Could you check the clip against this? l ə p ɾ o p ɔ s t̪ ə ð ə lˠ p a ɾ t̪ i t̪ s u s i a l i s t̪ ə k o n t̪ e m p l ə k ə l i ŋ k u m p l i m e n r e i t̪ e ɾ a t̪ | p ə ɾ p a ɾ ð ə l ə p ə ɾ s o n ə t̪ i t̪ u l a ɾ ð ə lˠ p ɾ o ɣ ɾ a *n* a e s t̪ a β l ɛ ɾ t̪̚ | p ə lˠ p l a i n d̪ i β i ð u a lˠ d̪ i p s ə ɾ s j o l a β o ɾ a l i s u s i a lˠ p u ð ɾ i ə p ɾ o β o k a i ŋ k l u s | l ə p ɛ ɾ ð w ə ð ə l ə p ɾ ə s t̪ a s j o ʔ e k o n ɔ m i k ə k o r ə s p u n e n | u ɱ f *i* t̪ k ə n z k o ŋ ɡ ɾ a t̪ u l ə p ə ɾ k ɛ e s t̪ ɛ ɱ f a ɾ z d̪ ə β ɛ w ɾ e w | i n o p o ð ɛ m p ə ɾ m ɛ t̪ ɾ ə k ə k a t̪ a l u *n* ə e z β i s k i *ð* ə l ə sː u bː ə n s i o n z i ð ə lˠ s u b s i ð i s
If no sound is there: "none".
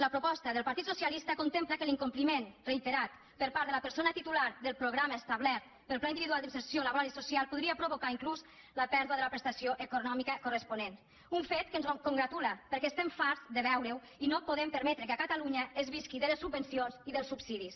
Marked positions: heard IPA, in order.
m, e, ɲ, ð

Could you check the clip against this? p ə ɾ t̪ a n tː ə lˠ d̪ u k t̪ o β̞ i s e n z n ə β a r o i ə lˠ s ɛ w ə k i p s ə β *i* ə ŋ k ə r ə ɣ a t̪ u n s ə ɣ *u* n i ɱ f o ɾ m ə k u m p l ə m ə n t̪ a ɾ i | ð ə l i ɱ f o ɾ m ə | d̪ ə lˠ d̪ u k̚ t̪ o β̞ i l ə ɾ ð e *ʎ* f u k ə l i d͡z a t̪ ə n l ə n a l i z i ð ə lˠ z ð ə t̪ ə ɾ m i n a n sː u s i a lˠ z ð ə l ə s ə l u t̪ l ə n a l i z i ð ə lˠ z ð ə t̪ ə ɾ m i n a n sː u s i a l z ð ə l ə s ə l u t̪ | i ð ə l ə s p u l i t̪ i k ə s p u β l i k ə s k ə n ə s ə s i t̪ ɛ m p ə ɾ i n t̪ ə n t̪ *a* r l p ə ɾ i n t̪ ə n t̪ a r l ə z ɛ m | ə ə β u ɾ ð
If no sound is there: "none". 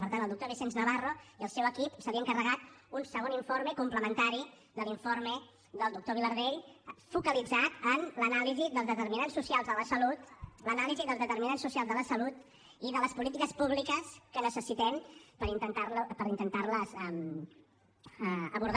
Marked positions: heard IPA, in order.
i, o, ʎ, a

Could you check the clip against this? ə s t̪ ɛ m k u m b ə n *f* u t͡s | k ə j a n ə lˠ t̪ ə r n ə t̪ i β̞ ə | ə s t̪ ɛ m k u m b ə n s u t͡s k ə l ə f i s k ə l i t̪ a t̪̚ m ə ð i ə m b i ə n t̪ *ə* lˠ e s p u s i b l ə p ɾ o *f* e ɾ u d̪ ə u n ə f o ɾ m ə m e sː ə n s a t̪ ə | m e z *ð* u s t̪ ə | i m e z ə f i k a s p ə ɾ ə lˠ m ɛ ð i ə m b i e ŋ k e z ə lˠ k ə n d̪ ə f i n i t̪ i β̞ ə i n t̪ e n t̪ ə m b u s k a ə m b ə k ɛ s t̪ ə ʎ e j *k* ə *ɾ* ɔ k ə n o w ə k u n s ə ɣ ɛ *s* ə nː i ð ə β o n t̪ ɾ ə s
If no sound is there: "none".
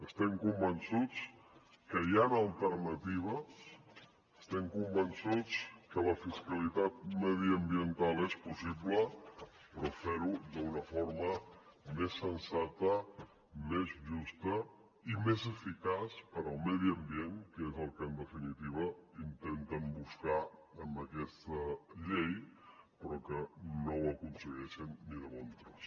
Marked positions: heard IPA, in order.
s, a, f, ʒ, p, ɾ, ʃ

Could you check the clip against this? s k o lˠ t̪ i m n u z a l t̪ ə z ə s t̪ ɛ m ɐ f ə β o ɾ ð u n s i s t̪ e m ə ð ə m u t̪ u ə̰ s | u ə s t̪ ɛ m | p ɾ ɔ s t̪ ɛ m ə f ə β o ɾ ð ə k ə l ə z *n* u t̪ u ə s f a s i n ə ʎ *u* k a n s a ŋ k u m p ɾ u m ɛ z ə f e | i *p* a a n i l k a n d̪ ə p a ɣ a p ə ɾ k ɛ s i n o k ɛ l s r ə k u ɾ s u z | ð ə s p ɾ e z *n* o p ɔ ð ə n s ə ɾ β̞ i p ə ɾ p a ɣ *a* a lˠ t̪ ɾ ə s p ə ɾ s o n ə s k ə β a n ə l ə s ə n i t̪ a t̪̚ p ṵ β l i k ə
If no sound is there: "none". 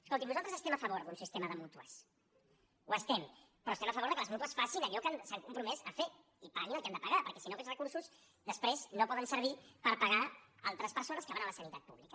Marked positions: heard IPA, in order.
m, ɔ, p, n, a

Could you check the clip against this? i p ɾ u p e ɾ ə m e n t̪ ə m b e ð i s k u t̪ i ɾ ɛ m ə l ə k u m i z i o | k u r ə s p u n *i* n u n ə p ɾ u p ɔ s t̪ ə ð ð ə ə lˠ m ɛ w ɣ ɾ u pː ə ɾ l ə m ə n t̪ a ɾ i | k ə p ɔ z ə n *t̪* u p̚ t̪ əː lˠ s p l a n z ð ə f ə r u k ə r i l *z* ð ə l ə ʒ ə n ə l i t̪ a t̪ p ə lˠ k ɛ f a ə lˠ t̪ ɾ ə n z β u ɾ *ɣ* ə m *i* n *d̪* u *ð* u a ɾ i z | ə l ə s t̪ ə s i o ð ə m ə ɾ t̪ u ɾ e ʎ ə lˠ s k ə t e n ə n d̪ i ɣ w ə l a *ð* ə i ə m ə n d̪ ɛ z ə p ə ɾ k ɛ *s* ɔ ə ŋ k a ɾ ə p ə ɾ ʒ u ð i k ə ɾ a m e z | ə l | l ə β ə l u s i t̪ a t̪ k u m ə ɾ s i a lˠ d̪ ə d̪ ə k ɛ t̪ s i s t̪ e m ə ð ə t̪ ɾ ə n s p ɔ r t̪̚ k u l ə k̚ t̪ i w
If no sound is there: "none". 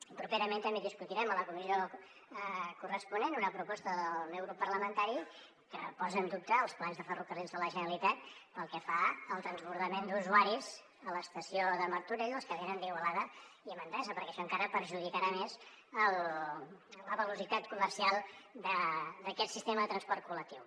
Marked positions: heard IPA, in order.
e, d̪, z, ð, e, d̪, z, ð, ʃ

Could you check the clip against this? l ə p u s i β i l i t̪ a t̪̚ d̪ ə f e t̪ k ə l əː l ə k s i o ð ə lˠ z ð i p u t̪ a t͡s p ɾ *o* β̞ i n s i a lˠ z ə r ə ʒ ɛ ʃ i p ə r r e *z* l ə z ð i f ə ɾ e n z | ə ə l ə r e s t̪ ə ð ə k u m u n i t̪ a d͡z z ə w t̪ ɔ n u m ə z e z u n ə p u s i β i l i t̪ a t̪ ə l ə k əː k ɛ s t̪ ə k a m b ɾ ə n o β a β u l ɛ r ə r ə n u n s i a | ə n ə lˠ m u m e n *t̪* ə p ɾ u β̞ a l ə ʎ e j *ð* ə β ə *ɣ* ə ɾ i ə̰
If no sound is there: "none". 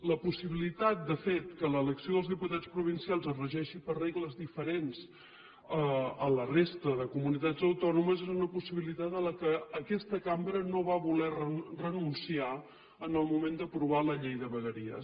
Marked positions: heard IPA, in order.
u, ɣ, d̪, ð, ɣ

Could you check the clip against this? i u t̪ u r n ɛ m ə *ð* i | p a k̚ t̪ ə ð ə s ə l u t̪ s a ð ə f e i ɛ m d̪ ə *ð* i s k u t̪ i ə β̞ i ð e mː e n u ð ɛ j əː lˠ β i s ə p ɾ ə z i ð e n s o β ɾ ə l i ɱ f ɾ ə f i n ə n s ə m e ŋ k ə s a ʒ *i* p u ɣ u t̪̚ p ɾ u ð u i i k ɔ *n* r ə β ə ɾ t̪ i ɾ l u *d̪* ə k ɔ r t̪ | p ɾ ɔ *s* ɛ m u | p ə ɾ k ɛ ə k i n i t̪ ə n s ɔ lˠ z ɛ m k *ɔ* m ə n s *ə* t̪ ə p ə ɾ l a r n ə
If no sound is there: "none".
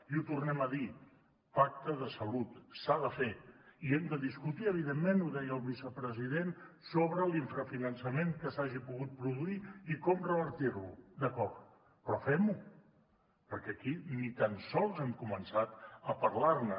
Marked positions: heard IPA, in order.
ð, ð, i, m, d̪, f, u, a

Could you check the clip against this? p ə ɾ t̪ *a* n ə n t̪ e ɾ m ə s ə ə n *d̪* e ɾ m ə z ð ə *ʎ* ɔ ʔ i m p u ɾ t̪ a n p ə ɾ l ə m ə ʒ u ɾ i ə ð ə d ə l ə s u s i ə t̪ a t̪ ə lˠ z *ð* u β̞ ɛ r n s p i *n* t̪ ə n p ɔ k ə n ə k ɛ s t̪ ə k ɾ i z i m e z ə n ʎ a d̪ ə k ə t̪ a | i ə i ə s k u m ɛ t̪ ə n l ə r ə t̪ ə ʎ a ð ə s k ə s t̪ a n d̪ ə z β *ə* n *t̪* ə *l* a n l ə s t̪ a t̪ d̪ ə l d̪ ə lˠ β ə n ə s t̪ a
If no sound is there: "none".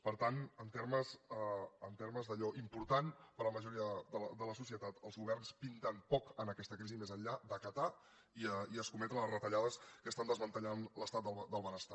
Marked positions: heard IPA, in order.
a, t̪, ʎ, ɣ, n, ə, t̪, ʎ

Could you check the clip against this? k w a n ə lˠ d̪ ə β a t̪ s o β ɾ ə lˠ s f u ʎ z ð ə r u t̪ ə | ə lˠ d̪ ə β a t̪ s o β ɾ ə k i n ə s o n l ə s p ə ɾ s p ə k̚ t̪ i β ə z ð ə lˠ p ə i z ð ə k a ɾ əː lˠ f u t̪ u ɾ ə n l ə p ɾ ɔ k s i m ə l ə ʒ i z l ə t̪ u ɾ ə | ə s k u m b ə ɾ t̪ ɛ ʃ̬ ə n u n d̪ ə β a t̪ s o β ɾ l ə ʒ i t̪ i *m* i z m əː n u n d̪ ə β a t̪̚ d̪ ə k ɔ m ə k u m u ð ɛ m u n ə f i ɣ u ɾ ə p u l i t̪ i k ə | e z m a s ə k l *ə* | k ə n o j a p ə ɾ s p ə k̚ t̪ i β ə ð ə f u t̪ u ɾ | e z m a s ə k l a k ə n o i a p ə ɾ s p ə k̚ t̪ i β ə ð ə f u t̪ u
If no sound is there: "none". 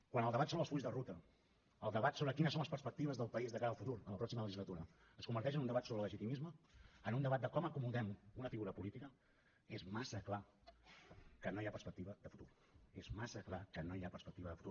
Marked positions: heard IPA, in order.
m, a

